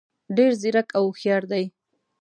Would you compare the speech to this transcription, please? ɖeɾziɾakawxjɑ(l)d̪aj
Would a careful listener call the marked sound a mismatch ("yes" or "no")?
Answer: yes